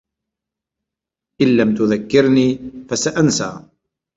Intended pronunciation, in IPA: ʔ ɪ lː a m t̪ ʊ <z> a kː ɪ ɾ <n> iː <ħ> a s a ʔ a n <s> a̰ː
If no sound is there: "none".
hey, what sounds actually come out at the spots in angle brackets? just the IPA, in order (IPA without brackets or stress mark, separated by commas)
ð, n, f, s